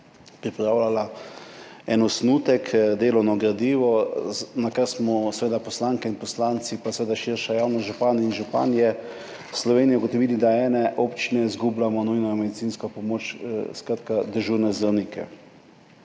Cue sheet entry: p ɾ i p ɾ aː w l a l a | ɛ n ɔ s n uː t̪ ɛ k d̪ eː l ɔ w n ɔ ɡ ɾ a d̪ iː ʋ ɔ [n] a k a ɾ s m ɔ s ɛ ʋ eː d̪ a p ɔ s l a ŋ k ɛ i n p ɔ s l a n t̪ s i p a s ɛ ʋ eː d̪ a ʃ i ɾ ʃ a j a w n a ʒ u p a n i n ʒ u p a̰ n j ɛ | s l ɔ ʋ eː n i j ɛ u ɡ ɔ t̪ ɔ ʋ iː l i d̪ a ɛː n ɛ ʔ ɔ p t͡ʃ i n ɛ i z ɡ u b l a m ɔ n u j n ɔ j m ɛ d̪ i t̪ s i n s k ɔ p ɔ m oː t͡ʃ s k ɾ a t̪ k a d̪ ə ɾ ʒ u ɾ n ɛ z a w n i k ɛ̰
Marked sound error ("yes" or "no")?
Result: no